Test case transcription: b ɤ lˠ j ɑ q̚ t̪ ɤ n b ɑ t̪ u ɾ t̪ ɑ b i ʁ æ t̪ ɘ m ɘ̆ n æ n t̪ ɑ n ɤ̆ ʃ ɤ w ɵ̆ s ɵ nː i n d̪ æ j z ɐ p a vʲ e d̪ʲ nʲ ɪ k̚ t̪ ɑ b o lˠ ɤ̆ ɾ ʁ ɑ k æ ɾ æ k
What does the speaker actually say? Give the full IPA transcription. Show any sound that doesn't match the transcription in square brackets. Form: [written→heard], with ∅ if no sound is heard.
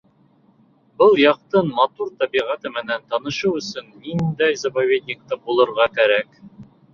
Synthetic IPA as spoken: b ɤ lˠ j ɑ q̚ t̪ ɤ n [b→m] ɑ t̪ u ɾ t̪ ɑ b i ʁ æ t̪ ɘ m ɘ̆ n æ n t̪ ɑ n ɤ̆ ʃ ɤ w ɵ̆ s ɵ nː i n d̪ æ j z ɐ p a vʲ e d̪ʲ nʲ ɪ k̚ t̪ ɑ b [o→u] lˠ ɤ̆ ɾ ʁ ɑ k æ ɾ æ k

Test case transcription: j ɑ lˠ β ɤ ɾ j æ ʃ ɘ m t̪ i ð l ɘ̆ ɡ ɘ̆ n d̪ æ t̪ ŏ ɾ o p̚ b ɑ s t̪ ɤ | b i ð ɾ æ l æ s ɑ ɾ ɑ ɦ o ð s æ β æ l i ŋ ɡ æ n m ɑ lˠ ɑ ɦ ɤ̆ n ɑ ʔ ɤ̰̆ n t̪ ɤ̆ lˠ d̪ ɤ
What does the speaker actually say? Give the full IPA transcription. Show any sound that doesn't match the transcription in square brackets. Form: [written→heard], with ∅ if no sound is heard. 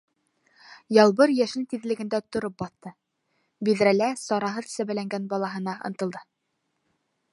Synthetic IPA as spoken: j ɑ lˠ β ɤ ɾ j æ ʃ ɘ [m→n] t̪ i ð l ɘ̆ ɡ ɘ̆ n d̪ æ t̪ ŏ ɾ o p̚ b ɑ [s→θ] t̪ ɤ | b i ð ɾ æ l æ s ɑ ɾ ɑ ɦ [o→ɤ] ð s æ β æ l [i→æ] ŋ ɡ æ n [m→b] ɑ lˠ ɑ ɦ ɤ̆ n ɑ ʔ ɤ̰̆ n t̪ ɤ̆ lˠ d̪ ɤ

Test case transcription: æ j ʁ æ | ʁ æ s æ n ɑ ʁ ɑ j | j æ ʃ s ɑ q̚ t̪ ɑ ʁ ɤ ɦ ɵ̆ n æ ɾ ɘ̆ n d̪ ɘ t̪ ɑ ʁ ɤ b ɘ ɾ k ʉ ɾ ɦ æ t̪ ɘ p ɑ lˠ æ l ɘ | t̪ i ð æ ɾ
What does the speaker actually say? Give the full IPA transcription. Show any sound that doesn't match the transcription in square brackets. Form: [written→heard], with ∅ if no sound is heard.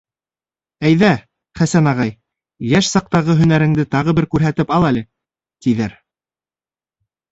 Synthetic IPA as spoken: æ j [ʁ→ð] æ | [ʁ→χ] æ s æ n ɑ ʁ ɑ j | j æ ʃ s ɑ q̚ t̪ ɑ ʁ ɤ ɦ ɵ̆ n æ ɾ ɘ̆ [n→ŋ] d̪ ɘ t̪ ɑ ʁ ɤ b ɘ ɾ k ʉ ɾ ɦ æ t̪ ɘ p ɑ lˠ æ l ɘ | t̪ i ð æ ɾ

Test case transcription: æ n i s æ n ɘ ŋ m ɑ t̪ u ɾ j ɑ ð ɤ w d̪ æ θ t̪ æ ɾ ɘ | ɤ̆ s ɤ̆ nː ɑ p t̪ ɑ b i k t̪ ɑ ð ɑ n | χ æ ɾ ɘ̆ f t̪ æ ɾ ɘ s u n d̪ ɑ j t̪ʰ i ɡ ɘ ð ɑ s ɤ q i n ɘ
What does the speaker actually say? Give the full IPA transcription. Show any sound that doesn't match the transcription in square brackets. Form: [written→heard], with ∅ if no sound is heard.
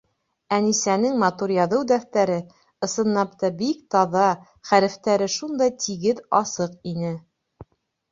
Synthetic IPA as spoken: æ n i s æ n ɘ ŋ m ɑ t̪ u ɾ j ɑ ð ɤ w d̪ æ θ t̪ æ ɾ ɘ | ɤ̆ s ɤ̆ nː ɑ p t̪ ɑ b i k t̪ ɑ ð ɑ [n→∅] | χ æ ɾ ɘ̆ f t̪ æ ɾ ɘ [s→ʃ] u n d̪ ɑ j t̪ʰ i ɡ ɘ ð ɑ s ɤ q i n ɘ

